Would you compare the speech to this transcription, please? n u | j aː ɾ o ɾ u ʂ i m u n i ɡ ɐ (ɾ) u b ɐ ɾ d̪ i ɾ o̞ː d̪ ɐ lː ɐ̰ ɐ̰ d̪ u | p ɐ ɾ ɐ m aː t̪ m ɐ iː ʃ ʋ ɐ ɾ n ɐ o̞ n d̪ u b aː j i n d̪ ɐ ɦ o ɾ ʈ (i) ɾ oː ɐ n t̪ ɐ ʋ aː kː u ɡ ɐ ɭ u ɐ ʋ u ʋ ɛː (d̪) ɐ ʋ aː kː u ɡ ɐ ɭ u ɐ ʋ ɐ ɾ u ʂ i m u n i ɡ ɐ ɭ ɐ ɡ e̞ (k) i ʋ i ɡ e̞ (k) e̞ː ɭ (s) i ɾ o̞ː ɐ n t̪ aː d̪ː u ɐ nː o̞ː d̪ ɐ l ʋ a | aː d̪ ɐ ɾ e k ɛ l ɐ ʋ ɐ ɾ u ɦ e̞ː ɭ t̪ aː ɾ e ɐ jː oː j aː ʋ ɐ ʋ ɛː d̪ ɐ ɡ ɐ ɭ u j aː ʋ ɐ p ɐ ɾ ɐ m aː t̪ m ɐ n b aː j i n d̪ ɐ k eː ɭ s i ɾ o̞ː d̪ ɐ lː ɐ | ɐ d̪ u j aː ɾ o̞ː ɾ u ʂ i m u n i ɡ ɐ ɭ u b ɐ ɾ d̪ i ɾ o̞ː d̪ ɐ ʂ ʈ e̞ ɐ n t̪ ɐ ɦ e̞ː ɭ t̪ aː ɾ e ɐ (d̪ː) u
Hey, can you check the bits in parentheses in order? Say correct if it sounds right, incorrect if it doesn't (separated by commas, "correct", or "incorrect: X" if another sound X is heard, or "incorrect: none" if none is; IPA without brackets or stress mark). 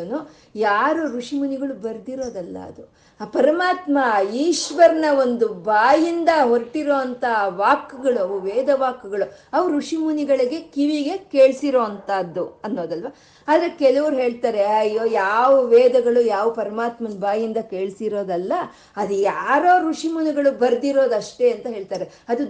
incorrect: ɭ, correct, correct, correct, correct, correct, incorrect: d̪